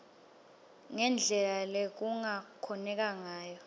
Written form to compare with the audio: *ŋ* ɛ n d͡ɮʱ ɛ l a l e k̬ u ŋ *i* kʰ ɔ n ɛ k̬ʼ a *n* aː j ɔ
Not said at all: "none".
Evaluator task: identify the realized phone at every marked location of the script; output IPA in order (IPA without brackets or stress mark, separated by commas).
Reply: ŋ, a, ŋ